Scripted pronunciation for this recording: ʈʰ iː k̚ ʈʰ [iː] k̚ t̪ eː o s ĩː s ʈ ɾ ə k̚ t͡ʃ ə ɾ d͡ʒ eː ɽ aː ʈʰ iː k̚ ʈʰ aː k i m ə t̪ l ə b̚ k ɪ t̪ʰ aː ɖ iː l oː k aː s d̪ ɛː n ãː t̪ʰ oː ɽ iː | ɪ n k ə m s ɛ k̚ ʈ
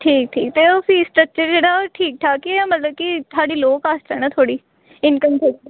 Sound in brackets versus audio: correct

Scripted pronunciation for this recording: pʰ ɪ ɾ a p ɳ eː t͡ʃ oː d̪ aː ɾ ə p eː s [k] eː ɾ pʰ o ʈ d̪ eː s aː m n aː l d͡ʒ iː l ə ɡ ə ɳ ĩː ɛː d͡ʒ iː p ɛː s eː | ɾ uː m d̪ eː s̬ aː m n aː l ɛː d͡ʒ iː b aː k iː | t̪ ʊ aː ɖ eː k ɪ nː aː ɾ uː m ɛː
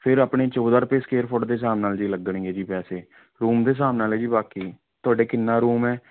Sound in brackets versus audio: correct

